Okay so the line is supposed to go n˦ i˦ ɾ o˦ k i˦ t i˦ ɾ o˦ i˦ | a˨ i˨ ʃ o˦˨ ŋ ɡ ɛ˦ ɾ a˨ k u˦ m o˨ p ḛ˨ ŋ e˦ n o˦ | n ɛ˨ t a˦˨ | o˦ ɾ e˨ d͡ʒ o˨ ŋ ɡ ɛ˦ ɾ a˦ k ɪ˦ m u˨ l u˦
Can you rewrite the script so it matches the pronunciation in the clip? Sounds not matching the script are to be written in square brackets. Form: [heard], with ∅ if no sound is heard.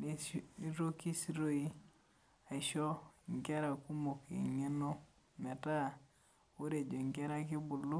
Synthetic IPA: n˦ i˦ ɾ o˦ k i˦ [s] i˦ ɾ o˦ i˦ | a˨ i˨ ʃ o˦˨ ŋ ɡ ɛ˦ ɾ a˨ k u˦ m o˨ [k] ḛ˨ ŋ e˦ n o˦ | [m] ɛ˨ t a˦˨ | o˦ ɾ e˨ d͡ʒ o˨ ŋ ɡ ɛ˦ ɾ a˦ k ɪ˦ [b] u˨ l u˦

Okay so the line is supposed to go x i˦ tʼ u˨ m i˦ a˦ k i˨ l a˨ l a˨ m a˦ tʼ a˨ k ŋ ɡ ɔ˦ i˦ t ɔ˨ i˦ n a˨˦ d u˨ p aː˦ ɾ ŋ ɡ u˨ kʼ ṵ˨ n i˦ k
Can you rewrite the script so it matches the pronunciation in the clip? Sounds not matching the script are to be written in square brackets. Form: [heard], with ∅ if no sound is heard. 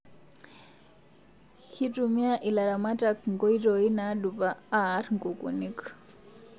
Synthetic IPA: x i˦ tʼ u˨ m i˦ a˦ [ʔ] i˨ l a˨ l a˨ m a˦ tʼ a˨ k ŋ ɡ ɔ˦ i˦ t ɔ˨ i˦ n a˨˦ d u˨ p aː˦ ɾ ŋ ɡ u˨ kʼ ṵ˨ n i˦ k

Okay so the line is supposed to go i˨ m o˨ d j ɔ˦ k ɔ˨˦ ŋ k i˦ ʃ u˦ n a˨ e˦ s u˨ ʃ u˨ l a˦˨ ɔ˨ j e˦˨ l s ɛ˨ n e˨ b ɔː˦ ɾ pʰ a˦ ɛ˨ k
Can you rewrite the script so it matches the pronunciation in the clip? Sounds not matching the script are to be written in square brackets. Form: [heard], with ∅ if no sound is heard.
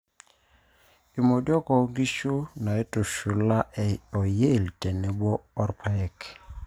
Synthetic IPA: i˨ m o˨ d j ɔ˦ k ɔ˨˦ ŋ [ɡ] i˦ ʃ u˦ n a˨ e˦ [t] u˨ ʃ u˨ l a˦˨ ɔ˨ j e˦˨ l [t] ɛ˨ n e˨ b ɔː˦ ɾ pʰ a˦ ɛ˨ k

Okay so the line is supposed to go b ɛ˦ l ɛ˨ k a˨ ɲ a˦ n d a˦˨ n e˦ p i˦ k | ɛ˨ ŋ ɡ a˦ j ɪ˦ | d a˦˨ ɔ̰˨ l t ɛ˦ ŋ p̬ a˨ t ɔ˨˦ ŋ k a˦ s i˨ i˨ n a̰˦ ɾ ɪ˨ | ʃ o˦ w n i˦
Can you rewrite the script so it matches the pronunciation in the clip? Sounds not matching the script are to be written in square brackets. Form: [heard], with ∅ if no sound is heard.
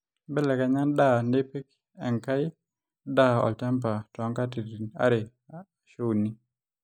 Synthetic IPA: b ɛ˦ l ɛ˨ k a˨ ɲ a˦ n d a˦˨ n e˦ p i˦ k | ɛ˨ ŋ [k] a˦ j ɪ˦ | d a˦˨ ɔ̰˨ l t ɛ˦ [m] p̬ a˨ t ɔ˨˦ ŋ k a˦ [t] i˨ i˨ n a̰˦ ɾ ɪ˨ | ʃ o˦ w n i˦

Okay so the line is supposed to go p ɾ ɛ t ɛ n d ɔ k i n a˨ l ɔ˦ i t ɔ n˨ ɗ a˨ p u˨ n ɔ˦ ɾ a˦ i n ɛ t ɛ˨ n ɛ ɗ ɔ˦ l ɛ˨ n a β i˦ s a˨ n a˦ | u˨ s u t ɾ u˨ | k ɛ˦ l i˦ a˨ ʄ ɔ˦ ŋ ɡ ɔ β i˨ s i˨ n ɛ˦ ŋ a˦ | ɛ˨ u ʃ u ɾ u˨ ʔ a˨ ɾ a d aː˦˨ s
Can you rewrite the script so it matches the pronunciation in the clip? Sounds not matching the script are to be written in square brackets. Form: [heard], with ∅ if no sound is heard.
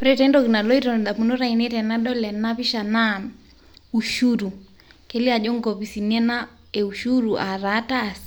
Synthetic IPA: p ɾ ɛ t ɛ n d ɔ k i n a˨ l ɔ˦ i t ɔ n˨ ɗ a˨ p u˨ n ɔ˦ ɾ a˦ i n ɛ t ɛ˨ n [a] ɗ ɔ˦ l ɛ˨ n a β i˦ [ʃ] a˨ n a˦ | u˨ [ʃ] u [∅] ɾ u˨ | k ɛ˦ l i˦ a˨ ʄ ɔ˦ ŋ ɡ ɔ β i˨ s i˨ n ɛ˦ [n] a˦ | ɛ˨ u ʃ u ɾ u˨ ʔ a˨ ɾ a [t] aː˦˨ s

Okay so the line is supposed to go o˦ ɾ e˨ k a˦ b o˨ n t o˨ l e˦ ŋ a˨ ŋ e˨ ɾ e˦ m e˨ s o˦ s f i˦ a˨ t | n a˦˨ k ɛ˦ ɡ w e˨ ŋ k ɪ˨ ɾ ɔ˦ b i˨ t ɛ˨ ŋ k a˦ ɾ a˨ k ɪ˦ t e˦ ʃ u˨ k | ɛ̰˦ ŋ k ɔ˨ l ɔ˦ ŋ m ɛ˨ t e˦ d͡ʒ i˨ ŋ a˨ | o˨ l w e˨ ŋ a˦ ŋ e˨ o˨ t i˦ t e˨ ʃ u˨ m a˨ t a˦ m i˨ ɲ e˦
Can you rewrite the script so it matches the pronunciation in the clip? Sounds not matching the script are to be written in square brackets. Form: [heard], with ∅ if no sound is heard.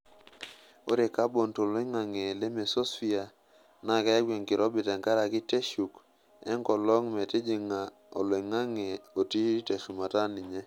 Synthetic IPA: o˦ ɾ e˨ k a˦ b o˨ n t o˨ l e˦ ŋ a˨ ŋ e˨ [l] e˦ m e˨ s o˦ s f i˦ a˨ [∅] | n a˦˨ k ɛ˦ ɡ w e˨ ŋ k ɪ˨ ɾ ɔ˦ b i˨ t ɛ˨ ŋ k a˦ ɾ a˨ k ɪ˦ t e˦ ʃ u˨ k | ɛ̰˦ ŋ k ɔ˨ l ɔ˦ ŋ m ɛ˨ t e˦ d͡ʒ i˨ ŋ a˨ | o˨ l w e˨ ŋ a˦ ŋ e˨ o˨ t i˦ t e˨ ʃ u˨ m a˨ t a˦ [n] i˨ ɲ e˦

